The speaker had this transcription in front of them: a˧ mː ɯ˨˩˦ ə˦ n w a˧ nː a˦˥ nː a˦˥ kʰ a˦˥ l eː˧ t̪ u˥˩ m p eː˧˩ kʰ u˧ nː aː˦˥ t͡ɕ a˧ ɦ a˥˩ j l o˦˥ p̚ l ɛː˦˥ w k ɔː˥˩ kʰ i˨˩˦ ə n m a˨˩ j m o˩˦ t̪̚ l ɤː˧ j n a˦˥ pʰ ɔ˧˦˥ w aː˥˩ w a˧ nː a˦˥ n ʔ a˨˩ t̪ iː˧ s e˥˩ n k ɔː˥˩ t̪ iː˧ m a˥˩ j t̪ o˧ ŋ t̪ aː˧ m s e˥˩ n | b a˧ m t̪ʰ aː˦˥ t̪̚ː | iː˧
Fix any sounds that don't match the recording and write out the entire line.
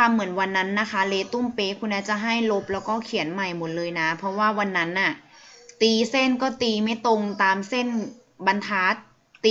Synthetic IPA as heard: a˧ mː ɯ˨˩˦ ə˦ n w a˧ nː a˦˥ nː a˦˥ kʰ a˦˥ l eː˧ t̪ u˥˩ m p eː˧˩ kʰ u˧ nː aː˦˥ t͡ɕ a˨˩ ɦ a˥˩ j l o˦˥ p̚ l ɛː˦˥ w k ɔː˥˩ kʰ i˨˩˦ ə n m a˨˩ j m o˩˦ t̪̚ l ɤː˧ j n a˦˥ pʰ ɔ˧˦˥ w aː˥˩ w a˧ nː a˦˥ n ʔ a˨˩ t̪ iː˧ s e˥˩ n k ɔː˥˩ t̪ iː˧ m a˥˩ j t̪ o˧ ŋ t̪ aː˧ m s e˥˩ n | b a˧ n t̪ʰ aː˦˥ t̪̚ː | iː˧